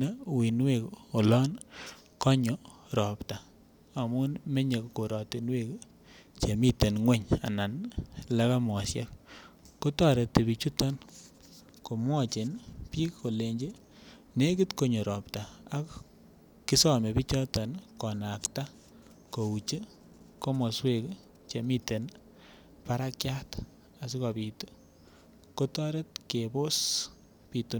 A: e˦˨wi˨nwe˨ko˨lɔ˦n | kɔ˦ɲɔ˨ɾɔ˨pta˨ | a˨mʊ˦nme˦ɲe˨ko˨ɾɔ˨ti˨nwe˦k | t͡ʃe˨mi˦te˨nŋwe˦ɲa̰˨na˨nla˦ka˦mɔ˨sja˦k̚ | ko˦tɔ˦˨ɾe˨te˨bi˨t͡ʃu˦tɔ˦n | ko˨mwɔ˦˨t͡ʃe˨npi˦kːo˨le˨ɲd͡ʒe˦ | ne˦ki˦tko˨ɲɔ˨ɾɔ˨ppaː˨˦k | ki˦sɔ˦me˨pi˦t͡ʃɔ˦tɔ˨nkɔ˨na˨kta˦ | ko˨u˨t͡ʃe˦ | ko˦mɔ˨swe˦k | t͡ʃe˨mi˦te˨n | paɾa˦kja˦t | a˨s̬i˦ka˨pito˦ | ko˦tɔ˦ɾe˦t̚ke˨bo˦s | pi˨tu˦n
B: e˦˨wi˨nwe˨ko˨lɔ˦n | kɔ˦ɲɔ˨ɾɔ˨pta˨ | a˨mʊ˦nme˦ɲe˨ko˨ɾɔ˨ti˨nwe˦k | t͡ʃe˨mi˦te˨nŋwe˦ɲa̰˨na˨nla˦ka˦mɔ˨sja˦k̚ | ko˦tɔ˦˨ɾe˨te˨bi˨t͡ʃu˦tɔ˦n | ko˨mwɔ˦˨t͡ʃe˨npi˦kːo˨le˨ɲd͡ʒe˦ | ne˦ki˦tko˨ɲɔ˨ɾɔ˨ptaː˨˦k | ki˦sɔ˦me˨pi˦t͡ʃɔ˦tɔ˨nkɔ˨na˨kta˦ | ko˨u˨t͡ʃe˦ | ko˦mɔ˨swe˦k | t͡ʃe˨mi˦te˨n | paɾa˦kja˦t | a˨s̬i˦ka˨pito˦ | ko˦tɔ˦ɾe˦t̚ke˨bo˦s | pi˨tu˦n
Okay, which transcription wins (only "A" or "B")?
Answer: B